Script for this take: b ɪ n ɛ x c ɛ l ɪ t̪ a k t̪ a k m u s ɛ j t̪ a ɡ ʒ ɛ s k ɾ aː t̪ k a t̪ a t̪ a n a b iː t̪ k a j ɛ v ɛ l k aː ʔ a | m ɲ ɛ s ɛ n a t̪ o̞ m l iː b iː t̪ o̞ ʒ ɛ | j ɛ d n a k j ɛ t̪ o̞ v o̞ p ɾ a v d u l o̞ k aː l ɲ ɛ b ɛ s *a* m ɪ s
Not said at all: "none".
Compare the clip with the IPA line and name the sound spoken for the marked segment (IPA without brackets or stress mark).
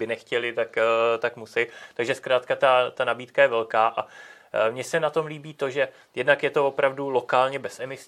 ɛ